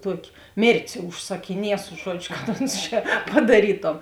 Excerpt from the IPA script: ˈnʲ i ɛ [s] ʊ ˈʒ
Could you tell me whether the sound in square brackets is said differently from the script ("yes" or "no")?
no